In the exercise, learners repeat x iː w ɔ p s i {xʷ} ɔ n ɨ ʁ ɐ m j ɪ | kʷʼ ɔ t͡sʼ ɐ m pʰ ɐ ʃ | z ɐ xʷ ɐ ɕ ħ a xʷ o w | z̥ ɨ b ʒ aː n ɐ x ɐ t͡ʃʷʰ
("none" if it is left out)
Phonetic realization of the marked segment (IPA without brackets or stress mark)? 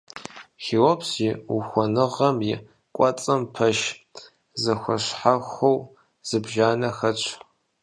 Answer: xʷ